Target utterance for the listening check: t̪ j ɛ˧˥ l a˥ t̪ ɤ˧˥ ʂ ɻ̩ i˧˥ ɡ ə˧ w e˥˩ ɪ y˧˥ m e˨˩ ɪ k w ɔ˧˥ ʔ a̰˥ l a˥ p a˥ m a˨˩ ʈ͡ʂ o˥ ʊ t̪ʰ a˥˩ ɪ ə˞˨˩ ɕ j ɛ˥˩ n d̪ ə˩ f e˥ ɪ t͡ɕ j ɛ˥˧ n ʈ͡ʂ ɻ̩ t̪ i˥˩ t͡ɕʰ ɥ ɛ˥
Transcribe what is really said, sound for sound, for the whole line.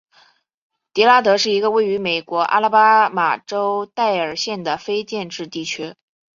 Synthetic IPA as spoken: t̪ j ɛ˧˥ l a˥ t̪ ɤ˧˥ ʂ ɻ̩ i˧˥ ɡ ə˧ w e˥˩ ɪ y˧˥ m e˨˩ ɪ k w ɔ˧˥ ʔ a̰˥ l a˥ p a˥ m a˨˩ ʈ͡ʂ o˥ ʊ t̪ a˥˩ ɪ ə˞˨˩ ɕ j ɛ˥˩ n d̪ ə˩ f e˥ ɪ t͡ɕ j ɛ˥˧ n ʈ͡ʂ ɻ̩ t̪ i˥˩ t͡ɕʰ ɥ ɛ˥